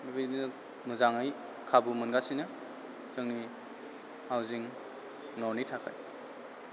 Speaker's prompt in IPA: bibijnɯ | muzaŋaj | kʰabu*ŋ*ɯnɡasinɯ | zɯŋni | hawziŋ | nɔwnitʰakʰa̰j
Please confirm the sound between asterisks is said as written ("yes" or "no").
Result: no